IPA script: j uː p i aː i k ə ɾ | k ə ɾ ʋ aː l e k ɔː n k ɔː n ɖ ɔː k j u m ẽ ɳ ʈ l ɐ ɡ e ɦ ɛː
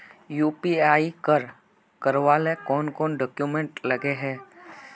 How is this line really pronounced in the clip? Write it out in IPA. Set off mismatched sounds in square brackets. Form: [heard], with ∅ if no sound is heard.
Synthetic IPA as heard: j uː p i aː i k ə ɾ | k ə ɾ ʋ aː l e k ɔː n k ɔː n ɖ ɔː k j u m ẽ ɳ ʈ l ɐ ɡ e ɦ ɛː